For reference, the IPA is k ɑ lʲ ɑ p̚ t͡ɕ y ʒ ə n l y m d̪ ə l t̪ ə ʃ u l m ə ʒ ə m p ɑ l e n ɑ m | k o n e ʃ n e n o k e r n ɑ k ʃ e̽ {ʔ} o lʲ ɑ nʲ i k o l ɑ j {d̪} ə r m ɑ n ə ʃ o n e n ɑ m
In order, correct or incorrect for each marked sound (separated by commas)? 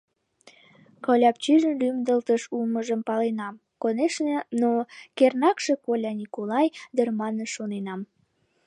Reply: incorrect, correct